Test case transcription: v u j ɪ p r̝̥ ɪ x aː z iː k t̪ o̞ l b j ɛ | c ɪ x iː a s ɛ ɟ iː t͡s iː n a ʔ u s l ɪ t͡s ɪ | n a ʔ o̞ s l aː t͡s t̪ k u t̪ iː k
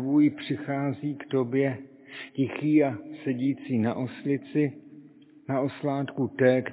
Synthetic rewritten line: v u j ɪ p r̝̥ ɪ x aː z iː k t̪ o̞ b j ɛ | c ɪ x iː a s ɛ ɟ iː t͡s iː n a ʔ o s l ɪ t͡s ɪ | n a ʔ o̞ s l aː t̪ k u t̪ ɛː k